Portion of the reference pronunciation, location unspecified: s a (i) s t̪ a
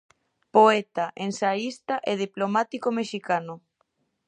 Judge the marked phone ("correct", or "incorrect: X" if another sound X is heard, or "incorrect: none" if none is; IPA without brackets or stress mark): correct